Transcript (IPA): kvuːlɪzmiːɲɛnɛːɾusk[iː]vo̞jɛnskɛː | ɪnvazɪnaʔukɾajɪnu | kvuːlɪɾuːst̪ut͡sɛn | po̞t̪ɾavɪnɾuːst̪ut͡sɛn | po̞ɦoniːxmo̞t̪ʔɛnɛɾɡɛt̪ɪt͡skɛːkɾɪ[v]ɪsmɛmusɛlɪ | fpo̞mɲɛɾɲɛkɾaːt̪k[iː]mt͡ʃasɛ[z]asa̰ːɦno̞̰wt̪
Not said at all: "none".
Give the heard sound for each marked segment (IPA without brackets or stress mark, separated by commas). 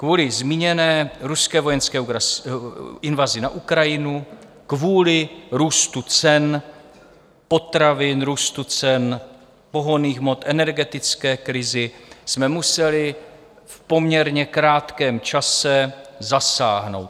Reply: ɛː, z, ɛː, z